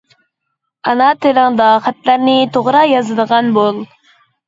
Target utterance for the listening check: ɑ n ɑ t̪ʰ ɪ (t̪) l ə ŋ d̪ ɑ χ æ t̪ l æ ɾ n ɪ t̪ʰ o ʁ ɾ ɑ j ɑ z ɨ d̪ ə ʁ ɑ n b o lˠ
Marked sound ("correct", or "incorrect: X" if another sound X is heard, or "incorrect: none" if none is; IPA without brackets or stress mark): incorrect: none